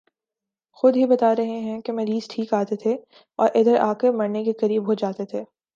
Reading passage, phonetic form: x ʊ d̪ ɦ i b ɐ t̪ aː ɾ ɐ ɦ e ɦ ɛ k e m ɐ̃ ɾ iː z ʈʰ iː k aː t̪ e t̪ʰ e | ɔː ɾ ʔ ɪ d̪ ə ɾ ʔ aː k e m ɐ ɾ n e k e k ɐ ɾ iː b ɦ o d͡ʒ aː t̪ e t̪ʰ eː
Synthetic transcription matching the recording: x ʊ d̪ ɦ i b ɐ t̪ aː ɾ ɐ ɦ e ɦ ɛ̃ k e m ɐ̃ ɾ iː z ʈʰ iː k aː t̪ e t̪ʰ e | ɔː ɾ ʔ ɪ d̪ ə ɾ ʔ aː k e m ɐ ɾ n e k e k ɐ ɾ iː b ɦ o d͡ʒ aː t̪ e t̪ʰ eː